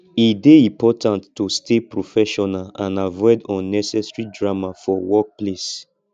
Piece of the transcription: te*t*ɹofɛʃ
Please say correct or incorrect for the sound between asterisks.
incorrect